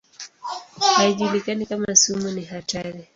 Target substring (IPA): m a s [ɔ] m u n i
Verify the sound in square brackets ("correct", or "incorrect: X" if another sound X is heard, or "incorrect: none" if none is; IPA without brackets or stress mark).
incorrect: u